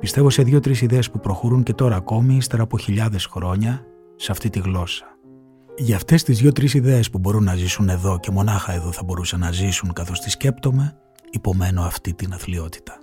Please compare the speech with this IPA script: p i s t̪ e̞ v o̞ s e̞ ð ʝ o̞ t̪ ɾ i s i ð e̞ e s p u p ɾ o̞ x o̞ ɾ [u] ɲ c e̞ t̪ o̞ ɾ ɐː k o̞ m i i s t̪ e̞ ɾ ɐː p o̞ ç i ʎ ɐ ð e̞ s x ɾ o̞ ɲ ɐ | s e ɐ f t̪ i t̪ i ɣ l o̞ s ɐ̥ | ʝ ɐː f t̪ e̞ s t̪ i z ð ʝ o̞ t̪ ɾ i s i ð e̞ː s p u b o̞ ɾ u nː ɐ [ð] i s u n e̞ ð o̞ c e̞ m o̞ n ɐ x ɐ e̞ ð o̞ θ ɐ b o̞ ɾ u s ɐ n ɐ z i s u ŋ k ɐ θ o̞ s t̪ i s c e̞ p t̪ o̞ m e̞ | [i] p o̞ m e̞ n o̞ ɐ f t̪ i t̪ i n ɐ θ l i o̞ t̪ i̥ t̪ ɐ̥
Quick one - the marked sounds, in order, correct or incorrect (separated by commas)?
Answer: correct, incorrect, correct